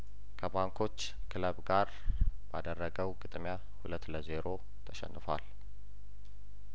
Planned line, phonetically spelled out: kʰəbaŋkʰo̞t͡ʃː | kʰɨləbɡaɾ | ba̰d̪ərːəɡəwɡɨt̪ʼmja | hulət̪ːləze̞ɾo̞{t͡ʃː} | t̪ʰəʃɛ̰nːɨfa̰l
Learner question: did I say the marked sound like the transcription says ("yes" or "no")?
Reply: no